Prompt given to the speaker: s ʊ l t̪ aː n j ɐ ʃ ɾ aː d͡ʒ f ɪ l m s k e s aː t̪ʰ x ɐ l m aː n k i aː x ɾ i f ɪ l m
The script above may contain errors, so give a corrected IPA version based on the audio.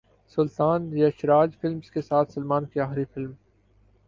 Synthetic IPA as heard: s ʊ l t̪ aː n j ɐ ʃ ɾ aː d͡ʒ f ɪ l m s k e s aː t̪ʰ s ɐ l m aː n k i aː x ɾ i f ɪ l m